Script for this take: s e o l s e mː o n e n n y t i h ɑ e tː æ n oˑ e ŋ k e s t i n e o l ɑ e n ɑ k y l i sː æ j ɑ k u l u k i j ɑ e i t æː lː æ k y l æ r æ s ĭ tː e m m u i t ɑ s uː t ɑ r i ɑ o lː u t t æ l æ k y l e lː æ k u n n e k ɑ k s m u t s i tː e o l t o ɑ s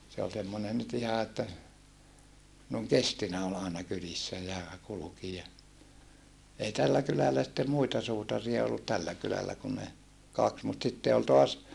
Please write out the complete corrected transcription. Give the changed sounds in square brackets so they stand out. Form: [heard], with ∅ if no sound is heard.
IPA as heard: s e o l s e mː o n e n n y t i h ɑ e tː æ n oˑ e ŋ k e s t i n [æ] o l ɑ e n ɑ k y l i sː æ j ɑ k u l u k i j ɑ e i t [æ] lː æ k y l æ [l] æ s ĭ tː e m m u i t ɑ s uː t ɑ r i ɑ o lː u t t æ [lː] æ k y l [æ] lː æ k u n n e k ɑ k s m u t s i tː e o l t o ɑ s

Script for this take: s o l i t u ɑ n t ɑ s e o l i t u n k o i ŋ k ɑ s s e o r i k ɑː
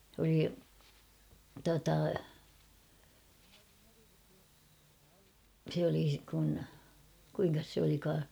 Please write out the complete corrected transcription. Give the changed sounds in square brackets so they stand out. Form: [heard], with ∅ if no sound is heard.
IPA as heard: s o l i t u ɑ [∅] t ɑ s e o l i [k] u n k [u] i ŋ k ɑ s s e o [l] i k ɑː

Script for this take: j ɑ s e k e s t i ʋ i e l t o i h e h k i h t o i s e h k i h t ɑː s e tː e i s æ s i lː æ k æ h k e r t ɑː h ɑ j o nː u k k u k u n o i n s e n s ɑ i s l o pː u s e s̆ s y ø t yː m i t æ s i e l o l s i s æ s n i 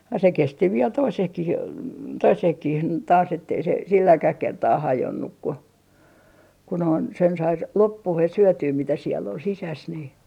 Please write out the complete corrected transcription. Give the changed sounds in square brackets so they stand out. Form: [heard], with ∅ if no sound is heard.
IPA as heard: j ɑ s e k e s t i ʋ i e l t o i [s] e h k i h t o i s e h k i h t ɑː s e tː e i s [e] s i lː æ k æ h k e r t ɑː h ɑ j o nː u k k u k u n o i n s e n s ɑ i s l o pː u [h] e s̆ s y ø t yː m i t æ s i e [lː] o l s i s æ s n i

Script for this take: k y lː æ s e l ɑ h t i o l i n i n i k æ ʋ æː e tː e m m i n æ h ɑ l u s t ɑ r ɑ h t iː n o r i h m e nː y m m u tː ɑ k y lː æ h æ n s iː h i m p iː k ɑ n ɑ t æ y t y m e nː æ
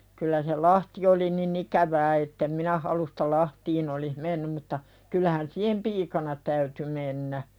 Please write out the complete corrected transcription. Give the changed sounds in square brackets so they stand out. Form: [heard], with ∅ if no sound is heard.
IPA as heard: k y lː æ s e l ɑ h t i o l i n i n i k æ ʋ æː e tː e m m i n æ h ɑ l u s t ɑ [l] ɑ h t iː n o [l] i h m e nː y m m u tː ɑ k y lː æ h æ n s iː h [e] m p iː k ɑ n ɑ t æ y t y m e nː æ

